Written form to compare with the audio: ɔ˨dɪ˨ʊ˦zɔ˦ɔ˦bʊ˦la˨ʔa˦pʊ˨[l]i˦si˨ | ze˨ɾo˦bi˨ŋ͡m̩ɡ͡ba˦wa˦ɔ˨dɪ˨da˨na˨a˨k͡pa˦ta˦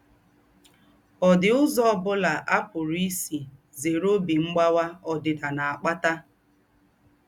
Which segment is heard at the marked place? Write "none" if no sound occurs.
ɾ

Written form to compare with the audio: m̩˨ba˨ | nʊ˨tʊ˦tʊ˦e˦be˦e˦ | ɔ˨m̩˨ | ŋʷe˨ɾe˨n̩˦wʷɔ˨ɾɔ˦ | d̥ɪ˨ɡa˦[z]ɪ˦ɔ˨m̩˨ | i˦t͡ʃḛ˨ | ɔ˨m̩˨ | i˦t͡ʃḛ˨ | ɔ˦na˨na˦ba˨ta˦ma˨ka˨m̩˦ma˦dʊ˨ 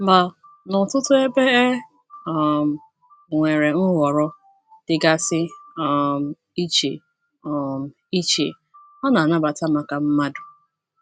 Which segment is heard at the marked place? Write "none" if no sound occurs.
s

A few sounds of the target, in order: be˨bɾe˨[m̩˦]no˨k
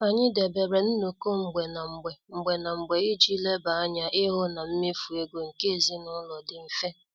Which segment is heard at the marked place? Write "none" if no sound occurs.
n̩˦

